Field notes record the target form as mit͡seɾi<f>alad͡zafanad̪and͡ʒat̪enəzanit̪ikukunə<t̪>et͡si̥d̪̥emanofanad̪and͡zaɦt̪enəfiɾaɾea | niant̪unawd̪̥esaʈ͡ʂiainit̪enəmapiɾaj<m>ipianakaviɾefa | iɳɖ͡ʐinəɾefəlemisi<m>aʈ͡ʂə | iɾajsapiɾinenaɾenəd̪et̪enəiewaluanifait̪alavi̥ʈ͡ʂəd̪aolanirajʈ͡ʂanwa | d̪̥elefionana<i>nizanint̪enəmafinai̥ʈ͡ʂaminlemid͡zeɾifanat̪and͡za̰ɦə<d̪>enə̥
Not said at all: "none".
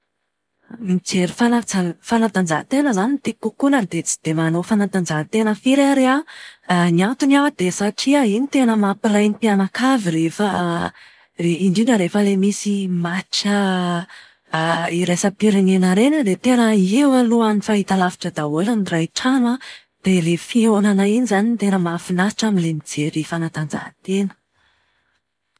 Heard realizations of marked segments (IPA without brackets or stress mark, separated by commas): f, d̪, n, m, i, t̪